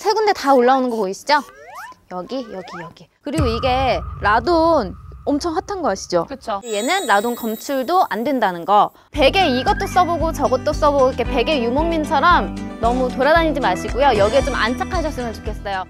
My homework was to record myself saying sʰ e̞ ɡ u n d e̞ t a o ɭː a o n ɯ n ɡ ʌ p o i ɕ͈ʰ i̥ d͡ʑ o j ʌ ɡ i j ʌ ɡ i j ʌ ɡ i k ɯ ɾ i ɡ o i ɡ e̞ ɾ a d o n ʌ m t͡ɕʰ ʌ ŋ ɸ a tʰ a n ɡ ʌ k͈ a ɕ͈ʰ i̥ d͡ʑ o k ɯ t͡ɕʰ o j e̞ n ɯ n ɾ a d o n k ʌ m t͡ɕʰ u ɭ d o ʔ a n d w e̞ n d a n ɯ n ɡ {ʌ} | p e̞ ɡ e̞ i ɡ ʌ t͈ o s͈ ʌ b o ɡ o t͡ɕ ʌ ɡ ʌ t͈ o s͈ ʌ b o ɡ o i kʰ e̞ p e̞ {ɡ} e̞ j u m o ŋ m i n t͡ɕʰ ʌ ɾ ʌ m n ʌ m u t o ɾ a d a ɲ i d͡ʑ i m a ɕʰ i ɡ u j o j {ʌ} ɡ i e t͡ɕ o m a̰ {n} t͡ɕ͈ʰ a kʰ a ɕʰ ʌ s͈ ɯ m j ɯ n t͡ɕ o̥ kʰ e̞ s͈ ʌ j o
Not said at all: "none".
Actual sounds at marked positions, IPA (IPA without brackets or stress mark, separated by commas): ʌ, ɡ, ʌ, n